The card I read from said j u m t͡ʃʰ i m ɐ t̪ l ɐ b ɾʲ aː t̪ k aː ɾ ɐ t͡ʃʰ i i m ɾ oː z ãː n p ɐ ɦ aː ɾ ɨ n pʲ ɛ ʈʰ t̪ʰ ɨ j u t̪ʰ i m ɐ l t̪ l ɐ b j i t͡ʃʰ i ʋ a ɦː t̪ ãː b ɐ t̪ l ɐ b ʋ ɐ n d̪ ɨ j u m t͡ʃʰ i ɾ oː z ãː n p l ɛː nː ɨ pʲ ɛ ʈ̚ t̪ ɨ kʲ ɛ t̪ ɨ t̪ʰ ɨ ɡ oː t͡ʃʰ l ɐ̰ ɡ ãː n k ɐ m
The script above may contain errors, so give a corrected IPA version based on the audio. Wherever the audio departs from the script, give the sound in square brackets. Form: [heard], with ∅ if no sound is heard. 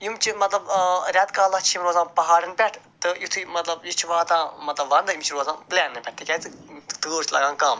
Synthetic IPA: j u m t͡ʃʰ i m ɐ t̪ l ɐ b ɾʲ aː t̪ k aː [l] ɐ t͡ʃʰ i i m ɾ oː z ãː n p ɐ ɦ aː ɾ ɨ n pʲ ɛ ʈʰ [t̪] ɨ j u t̪ʰ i m ɐ [∅] t̪ l ɐ b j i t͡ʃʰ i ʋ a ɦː t̪ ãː [m] ɐ t̪ l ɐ b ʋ ɐ n d̪ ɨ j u m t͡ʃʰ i ɾ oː z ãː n p l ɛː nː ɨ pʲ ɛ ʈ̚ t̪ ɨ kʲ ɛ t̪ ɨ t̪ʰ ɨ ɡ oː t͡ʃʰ l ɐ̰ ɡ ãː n k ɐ m

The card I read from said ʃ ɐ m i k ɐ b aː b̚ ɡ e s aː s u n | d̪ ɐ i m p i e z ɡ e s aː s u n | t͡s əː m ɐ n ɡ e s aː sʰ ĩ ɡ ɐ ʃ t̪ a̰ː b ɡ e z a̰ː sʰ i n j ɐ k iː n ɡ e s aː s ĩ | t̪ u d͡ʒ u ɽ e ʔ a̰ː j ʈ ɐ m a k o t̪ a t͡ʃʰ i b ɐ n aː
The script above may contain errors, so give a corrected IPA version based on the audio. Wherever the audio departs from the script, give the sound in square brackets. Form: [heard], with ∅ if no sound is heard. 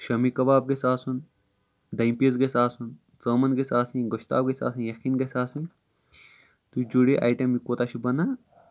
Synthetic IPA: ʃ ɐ m i k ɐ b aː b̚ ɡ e s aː s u n | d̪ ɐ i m p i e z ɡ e s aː s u n | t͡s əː m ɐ n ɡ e s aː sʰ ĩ ɡ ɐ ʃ t̪ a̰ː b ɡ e [s] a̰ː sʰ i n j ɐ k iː n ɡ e s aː s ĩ | t̪ u d͡ʒ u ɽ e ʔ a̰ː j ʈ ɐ m [i] k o t̪ a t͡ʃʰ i b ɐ n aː

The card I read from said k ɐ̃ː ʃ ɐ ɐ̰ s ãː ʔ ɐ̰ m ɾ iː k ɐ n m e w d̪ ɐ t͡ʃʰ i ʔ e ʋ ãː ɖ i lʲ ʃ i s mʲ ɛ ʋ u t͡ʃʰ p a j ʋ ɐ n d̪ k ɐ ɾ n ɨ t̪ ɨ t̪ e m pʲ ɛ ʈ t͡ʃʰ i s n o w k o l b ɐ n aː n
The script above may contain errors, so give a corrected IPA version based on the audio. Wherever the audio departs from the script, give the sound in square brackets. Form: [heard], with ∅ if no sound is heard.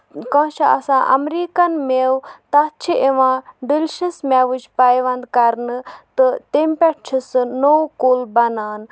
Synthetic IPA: k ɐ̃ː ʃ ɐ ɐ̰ s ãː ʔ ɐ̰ m ɾ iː k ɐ n m e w [t̪] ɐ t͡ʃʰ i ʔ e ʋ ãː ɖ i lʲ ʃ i s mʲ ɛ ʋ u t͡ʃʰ p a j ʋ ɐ n d̪ k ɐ ɾ n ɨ t̪ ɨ t̪ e m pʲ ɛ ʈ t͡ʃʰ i s n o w k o l b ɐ n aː n

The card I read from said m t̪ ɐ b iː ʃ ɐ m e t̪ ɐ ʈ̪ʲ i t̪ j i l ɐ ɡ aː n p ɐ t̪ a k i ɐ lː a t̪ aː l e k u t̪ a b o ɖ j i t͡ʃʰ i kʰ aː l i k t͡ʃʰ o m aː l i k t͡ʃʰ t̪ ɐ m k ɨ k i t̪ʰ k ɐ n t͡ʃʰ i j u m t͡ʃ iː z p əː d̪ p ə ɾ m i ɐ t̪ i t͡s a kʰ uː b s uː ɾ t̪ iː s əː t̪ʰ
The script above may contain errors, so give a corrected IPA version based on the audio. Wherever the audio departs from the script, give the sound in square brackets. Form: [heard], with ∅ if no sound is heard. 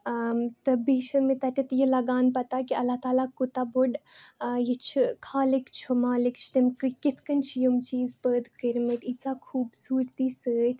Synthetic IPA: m t̪ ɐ b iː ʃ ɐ m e t̪ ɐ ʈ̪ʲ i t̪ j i l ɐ ɡ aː n p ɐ t̪ a k i ɐ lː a t̪ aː l [a] k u t̪ a b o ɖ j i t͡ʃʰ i kʰ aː l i k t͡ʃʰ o m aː l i k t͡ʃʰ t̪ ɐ m k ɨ k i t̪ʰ k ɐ n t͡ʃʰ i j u m t͡ʃ iː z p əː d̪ [k] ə ɾ m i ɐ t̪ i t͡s a kʰ uː b s uː ɾ t̪ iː s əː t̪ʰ

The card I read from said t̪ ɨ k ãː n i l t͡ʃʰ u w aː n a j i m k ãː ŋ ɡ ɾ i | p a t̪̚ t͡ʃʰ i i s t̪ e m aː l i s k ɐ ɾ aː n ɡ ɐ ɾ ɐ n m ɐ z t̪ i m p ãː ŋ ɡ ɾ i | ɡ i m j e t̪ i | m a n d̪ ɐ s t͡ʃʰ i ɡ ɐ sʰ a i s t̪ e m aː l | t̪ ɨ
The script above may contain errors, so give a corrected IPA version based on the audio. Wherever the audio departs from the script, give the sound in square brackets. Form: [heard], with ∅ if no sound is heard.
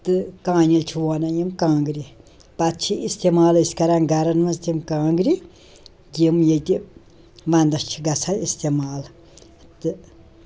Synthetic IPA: t̪ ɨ k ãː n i l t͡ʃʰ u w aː n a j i m k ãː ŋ ɡ ɾ i | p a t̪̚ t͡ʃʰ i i s t̪ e m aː l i s k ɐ ɾ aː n ɡ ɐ ɾ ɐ n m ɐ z t̪ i m [k] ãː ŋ ɡ ɾ i | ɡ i m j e t̪ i | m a n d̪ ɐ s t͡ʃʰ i ɡ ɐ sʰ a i s t̪ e m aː l | t̪ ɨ

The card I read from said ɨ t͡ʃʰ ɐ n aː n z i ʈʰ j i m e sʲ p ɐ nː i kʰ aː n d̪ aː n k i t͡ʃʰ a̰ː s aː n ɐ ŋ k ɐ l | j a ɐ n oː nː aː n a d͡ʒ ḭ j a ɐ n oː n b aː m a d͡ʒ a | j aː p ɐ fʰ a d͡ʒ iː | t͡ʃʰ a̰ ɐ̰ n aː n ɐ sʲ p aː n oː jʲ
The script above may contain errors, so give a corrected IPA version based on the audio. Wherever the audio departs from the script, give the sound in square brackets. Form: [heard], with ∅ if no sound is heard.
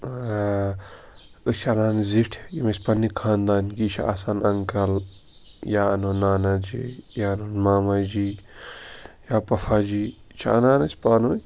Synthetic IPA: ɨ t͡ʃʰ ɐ n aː n z i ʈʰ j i m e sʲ p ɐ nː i kʰ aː n d̪ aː n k i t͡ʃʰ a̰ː s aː n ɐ ŋ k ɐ l | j a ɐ n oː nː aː n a d͡ʒ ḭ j a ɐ n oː n [m] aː m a d͡ʒ [i] | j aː p ɐ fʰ a d͡ʒ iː | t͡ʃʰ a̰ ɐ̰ n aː n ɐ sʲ p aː n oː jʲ

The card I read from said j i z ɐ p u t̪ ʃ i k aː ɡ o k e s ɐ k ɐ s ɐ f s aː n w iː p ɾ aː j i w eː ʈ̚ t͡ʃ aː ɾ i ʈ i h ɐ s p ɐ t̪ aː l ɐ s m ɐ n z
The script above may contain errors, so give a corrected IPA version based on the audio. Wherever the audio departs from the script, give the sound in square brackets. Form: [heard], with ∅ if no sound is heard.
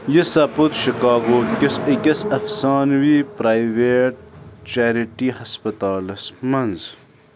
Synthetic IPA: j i [s] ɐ p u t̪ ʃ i k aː ɡ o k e s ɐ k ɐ s ɐ f s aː n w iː p ɾ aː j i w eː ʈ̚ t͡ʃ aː ɾ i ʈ i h ɐ s p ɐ t̪ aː l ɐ s m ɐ n z

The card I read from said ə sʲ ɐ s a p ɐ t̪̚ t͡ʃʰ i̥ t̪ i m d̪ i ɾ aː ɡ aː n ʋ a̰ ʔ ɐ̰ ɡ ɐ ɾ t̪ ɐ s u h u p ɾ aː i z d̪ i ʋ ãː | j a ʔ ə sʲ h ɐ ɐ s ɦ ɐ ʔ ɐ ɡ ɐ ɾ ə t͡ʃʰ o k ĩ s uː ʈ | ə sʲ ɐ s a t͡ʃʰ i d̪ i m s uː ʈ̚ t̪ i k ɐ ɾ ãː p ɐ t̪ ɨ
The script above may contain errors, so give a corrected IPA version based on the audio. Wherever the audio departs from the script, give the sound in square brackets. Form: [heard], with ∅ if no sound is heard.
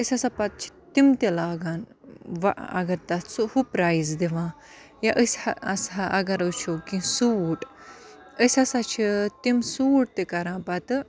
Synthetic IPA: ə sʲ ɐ s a p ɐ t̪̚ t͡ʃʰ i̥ t̪ i m [t̪] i [l] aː ɡ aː n ʋ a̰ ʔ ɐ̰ ɡ ɐ ɾ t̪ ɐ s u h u p ɾ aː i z d̪ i ʋ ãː | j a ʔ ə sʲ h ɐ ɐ s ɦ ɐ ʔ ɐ ɡ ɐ ɾ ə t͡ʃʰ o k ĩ s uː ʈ | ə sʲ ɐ s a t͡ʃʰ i [t̪] i m s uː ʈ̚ t̪ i k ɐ ɾ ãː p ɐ t̪ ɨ

